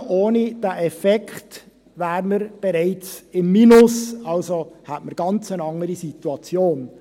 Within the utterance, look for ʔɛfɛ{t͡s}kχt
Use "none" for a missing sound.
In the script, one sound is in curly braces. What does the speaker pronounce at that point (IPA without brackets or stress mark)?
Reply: none